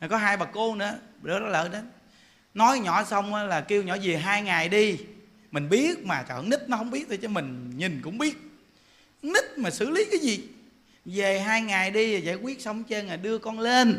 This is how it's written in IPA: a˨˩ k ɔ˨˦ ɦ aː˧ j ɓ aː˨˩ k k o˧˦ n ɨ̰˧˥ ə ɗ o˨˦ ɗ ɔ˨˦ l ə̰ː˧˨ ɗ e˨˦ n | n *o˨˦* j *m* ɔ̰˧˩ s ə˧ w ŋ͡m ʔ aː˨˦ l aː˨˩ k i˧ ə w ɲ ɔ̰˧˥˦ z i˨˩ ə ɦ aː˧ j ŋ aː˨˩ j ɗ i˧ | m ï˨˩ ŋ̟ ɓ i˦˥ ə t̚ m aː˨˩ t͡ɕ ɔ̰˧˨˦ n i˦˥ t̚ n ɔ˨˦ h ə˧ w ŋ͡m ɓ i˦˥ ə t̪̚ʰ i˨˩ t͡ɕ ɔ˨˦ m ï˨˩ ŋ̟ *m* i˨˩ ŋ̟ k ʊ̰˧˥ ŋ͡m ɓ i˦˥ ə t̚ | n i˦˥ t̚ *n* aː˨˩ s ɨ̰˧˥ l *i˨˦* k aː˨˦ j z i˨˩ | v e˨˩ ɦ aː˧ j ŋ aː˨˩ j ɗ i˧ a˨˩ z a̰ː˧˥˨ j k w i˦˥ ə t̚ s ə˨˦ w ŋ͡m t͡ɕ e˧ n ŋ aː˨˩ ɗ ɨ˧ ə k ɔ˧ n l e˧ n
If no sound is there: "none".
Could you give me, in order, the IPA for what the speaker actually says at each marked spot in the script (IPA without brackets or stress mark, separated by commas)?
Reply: ɔ˨˦, ɲ, ɲ, m, i˨˦